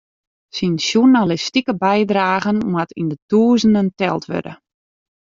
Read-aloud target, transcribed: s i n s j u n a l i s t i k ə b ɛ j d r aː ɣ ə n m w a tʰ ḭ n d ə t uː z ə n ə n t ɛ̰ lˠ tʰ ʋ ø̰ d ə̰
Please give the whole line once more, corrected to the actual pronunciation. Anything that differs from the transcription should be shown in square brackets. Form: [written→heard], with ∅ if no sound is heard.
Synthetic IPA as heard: s i n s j u n a l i s t i k ə b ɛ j d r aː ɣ ə n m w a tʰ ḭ n d ə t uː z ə n ə n t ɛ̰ lˠ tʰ ʋ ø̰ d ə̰